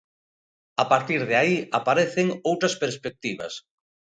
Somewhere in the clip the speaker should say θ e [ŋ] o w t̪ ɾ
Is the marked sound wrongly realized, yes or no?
no